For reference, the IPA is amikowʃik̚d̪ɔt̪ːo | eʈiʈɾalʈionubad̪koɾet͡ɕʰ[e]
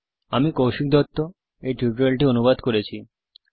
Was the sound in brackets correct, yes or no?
no